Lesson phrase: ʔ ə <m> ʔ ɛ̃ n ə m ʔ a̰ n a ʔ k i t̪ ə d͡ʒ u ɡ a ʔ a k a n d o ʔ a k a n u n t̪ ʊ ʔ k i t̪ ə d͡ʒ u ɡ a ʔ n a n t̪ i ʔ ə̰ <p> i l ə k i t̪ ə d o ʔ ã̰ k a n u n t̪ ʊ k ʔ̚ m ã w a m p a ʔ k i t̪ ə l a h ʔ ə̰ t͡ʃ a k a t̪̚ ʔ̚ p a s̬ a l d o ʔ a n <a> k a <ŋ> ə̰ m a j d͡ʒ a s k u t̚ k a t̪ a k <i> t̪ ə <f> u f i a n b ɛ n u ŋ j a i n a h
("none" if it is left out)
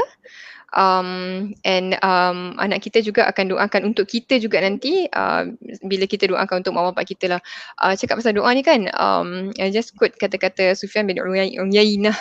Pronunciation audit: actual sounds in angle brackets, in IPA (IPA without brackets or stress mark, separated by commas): m, b, i, n, a, s